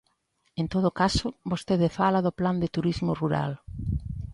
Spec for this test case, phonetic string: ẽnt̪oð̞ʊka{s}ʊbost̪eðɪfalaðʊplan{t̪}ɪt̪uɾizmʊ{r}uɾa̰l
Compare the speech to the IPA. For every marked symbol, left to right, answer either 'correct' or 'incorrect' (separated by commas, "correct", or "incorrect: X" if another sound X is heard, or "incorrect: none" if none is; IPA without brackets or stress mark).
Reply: correct, incorrect: d̪, correct